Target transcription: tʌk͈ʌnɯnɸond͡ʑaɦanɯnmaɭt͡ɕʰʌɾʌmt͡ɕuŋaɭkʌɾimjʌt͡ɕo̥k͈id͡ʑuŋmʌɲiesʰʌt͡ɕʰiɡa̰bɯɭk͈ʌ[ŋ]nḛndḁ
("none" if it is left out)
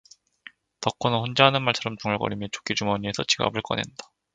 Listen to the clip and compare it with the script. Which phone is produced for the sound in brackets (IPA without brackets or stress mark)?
none